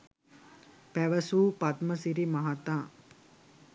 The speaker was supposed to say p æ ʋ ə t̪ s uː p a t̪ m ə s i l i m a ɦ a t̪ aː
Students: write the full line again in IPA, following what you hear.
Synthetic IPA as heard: p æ ʋ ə s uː p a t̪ m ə s i ɾ i m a ɦ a t̪ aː